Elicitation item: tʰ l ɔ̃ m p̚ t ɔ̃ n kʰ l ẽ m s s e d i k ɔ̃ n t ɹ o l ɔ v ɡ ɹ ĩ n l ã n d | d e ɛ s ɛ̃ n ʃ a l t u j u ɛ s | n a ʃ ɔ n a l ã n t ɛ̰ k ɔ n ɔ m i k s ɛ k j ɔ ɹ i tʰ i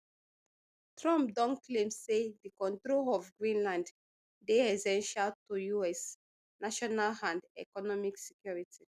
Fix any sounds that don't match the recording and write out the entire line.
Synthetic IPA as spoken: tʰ ɹ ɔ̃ m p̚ d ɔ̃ n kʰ l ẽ m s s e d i k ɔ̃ n t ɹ o l ɔ v ɡ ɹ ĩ n l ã n d | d e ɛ s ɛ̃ n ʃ a l t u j u ɛ s | n a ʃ ɔ n a l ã n d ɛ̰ k ɔ n ɔ m i k s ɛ k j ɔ ɹ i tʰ i

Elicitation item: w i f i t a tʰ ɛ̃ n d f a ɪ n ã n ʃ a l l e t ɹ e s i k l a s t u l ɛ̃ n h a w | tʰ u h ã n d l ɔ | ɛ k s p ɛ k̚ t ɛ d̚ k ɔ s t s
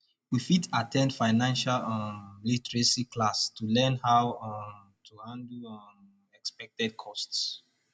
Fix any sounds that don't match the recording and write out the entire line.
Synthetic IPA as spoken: w i f i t a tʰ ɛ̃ n d f a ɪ n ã n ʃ a l l i t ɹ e s i k l a s t u l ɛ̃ n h a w | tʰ u h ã n d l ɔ | ɛ k s p ɛ k̚ t ɛ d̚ kʰ ɔ s t s

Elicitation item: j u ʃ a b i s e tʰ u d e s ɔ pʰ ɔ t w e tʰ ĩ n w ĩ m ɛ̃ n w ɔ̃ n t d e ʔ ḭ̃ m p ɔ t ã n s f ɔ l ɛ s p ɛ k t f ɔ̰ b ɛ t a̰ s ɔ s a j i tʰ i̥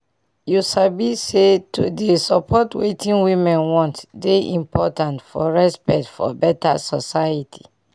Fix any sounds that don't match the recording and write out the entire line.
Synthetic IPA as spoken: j u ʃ a b i s e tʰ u d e s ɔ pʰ ɔ t w e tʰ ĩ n w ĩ m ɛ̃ n w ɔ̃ n t d e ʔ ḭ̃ m p ɔ t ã n t f ɔ ɹ ɛ s p ɛ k t f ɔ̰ b ɛ t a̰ s ɔ s a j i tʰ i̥

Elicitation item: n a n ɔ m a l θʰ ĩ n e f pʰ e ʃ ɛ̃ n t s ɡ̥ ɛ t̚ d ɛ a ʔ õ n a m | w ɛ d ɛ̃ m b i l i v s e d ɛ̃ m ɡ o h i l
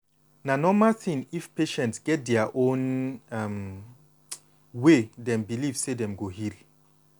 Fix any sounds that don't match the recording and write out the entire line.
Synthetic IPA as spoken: n a n ɔ m a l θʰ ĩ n i f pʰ e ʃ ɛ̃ n t s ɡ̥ ɛ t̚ d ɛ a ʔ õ n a m | w e d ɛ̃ m b i l i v s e d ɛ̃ m ɡ o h i l

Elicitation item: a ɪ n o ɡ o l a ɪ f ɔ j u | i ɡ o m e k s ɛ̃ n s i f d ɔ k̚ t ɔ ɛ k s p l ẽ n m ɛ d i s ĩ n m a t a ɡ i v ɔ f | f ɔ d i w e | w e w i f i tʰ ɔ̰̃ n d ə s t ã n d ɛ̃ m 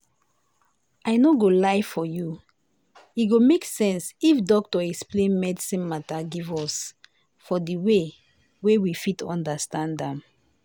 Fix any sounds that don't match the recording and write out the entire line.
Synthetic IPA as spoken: a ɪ n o ɡ o l a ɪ f ɔ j u | i ɡ o m e k s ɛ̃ n s i f d ɔ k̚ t ɔ ɛ k s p l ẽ n m ɛ d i s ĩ n m a t a ɡ i v ɔ s | f ɔ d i w e | w e w i f i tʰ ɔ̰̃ n d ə s t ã n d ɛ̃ m

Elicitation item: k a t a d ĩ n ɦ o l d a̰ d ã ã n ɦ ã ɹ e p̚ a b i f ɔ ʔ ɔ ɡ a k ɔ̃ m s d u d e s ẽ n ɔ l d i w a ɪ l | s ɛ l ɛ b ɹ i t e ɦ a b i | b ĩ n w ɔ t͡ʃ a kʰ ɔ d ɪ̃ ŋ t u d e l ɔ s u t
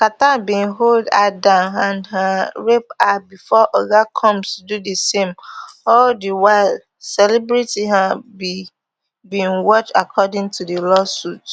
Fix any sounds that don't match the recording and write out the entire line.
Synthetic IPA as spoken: k a t a b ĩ n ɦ o l d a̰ d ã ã n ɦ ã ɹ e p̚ a b i f ɔ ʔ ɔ ɡ a kʰ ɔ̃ m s d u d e s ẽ m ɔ l d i w a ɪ l | s ɛ l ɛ b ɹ i t i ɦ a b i | b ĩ n w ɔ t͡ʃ a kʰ ɔ d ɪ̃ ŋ t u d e l ɔ s u t

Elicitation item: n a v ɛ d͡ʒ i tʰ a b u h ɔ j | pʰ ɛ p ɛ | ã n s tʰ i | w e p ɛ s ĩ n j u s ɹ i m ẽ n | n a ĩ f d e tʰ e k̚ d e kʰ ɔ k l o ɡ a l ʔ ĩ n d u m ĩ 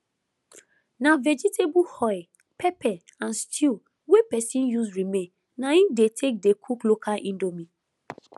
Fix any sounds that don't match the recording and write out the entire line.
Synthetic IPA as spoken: n a v ɛ d͡ʒ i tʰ e b u h ɔ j | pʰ ɛ p ɛ | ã n s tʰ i | w e p ɛ s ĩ n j u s ɹ i m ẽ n | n a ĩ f d e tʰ e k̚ d e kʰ u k l o k a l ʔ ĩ n d o m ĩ

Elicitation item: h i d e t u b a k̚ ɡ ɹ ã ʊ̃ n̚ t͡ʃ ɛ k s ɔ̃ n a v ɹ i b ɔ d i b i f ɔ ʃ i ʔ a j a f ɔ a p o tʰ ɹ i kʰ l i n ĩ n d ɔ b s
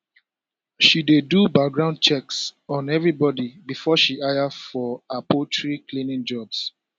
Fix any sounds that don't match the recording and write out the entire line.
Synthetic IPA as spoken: ʃ i d e d u b a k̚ ɡ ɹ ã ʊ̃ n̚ t͡ʃ ɛ k s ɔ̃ n ɛ v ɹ i b ɔ d i b i f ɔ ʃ i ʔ a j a f ɔ a p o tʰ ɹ i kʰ l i n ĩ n d͡ʒ ɔ b s

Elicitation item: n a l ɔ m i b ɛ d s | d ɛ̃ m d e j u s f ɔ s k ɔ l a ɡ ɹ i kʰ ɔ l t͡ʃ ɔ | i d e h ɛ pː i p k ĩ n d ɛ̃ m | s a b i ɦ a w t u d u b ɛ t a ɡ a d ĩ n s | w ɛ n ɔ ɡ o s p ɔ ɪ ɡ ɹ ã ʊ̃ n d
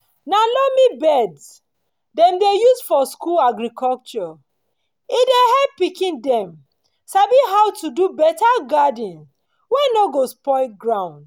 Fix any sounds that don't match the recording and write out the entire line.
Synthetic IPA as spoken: n a l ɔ m i b ɛ d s | d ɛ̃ m d e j u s f ɔ s k u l a ɡ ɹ i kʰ ɔ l t͡ʃ ɔ | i d e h ɛ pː i k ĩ n d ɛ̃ m | s a b i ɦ a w t u d u b ɛ t a ɡ a d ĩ n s | w ɛ n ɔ ɡ o s p ɔ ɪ ɡ ɹ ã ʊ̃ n d

